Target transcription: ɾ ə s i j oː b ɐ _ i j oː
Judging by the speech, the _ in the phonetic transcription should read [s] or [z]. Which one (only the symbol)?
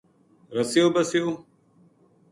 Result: s